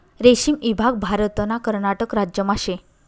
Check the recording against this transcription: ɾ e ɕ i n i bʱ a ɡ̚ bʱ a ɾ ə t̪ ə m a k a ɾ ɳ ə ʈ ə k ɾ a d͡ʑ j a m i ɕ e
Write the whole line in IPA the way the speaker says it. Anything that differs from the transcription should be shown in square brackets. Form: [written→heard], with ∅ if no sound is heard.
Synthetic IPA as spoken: ɾ e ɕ i [n→m] i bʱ a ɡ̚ bʱ a ɾ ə t̪ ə [m→n] a k [a→ə] ɾ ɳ [ə→a] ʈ ə k ɾ a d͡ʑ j [a→ə] m [i→a] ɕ e